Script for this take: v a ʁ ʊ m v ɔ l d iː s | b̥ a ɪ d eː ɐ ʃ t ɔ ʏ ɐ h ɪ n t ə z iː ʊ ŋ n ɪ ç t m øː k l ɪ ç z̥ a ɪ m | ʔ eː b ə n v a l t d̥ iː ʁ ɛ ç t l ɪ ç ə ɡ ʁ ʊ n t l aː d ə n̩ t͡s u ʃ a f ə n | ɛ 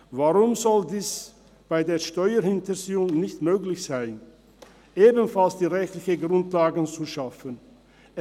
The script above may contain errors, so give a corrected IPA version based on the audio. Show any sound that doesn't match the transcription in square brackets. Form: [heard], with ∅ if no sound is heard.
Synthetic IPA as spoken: v a ʁ ʊ m [z] ɔ l d iː s | b̥ a ɪ d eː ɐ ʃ t ɔ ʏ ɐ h ɪ n t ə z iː ʊ ŋ n ɪ ç t m øː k l ɪ ç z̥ a ɪ [n] | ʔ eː b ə n [f] a l [s] d̥ iː ʁ ɛ ç t l ɪ ç ə ɡ ʁ ʊ n t l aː [ɡ] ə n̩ t͡s u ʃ a f ə n | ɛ